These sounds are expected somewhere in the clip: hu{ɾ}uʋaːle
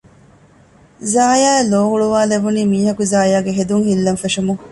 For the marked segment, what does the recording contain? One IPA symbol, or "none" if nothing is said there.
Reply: ɭ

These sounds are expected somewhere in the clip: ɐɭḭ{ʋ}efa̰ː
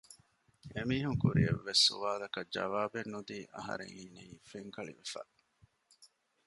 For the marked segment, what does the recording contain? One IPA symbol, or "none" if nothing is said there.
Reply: ʋ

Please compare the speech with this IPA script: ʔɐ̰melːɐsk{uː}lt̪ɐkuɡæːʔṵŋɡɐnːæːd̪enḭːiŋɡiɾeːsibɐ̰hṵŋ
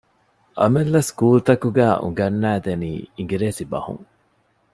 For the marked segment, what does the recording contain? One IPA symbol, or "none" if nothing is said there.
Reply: uː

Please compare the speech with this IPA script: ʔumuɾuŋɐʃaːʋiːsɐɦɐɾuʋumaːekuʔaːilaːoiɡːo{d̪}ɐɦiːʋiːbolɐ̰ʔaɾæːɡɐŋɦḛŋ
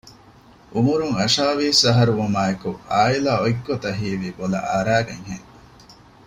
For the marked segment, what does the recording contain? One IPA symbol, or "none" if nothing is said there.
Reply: t̪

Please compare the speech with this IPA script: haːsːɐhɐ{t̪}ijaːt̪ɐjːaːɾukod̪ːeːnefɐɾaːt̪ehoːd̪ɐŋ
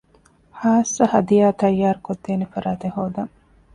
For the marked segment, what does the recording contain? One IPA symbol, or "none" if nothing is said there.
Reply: d̪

